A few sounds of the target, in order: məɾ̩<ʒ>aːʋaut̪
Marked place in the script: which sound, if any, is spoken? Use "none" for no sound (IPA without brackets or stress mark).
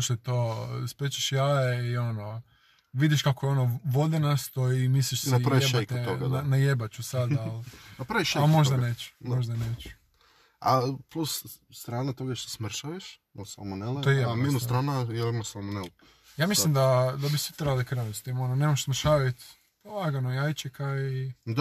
ʃ